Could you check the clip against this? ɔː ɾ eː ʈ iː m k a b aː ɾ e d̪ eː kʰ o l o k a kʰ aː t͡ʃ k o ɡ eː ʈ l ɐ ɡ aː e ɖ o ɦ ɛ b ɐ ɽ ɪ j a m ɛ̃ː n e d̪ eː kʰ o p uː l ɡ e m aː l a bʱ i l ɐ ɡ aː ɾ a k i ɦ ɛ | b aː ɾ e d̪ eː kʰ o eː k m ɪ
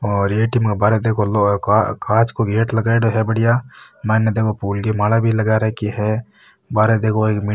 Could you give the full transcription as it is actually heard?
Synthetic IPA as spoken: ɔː ɾ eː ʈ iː m k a b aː ɾ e d̪ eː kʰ o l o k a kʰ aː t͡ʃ k o ɡ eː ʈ l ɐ ɡ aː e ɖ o ɦ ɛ b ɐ ɽ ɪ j a m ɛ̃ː n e d̪ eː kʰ o p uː l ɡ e m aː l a bʱ i l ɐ ɡ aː ɾ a k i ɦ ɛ | b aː ɾ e d̪ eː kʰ o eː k m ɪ

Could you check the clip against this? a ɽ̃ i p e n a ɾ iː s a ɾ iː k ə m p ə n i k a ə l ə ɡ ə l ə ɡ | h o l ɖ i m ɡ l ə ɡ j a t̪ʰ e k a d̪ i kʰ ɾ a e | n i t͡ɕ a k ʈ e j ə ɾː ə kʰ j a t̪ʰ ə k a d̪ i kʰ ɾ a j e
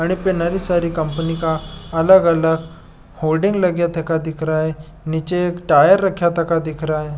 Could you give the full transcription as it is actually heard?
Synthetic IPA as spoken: a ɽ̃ i p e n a ɾ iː s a ɾ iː k ə m p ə n i k a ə l ə ɡ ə l ə ɡ | h o l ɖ i ŋ ɡ l ə ɡ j a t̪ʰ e k a d̪ i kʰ ɾ a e | n i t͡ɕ e k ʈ a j ə ɾː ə kʰ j a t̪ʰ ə k a d̪ i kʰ ɾ a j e

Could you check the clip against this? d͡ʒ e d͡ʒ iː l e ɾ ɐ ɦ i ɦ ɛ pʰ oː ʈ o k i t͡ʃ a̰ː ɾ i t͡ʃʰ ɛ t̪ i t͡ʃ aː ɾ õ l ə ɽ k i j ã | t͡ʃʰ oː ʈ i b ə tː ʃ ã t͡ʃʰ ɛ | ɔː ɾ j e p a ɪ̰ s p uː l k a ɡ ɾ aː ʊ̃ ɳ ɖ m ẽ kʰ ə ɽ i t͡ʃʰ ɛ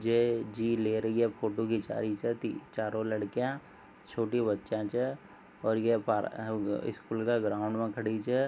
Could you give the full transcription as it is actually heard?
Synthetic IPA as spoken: d͡ʒ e d͡ʒ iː l e ɾ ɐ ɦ i ɦ ɛ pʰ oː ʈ o k i t͡ʃ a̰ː ɾ i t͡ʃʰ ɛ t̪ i t͡ʃ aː ɾ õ l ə ɽ k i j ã | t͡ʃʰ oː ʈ i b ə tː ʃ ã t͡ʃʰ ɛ | ɔː ɾ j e p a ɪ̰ s k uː l k a ɡ ɾ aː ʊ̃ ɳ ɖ m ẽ kʰ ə ɽ i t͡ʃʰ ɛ

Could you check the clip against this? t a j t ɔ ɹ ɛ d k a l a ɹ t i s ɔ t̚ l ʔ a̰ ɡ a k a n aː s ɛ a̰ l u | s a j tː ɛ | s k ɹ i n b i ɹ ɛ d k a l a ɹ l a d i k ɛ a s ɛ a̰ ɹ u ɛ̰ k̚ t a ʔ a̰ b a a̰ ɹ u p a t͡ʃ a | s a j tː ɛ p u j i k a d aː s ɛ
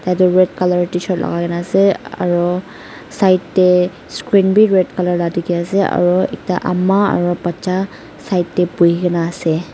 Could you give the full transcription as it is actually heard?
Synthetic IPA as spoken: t a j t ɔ ɹ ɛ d k a l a ɹ t i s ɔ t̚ l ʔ a̰ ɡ a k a n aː s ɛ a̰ ɹ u | s a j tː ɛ | s k ɹ i n b i ɹ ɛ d k a l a ɹ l a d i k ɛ a s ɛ a̰ ɹ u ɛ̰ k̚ t a ʔ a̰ m a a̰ ɹ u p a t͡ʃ a | s a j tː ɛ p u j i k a n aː s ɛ

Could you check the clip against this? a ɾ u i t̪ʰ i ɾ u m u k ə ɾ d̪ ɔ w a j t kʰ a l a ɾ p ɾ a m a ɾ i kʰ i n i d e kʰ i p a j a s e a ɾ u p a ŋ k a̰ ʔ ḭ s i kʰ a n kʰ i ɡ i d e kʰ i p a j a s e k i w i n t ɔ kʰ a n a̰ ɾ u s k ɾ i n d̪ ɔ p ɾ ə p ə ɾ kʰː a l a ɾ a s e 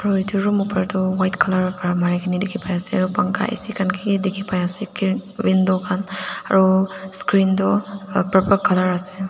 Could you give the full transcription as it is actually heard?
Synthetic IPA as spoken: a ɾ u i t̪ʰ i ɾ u m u p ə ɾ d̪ ɔ w a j t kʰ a l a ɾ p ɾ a m a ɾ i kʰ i n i d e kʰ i p a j a s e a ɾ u p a ŋ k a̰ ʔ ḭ s i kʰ a n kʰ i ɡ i d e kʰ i p a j a s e k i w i n d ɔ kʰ a n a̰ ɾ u s k ɾ i n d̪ ɔ p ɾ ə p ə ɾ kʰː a l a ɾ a s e

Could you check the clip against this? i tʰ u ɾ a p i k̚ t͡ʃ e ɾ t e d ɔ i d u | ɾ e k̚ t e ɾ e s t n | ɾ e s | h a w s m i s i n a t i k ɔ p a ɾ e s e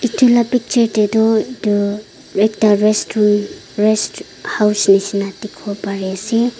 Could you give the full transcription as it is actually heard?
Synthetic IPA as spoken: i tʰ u l a p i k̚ t͡ʃ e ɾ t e d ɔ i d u | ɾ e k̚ t a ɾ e s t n | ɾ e s | h a w s n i s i n a t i kʰ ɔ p a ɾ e s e

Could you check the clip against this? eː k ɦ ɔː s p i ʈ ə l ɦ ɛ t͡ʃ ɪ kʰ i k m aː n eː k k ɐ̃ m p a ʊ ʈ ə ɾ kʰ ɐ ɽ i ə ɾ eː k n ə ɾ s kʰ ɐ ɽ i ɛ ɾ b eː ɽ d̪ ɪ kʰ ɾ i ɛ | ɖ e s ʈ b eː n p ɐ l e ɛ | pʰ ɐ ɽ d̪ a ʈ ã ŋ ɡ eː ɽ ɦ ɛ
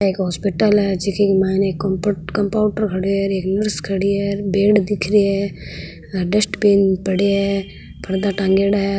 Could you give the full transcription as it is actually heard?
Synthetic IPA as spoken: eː k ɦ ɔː s p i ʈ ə l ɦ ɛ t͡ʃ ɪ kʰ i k m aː n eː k k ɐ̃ m p a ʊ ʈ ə ɾ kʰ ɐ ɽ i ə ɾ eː k n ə ɾ s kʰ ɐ ɽ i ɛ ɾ b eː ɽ d̪ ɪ kʰ ɾ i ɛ | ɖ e s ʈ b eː n p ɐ ɽ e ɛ | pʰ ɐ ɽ d̪ a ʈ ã ŋ ɡ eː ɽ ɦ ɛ

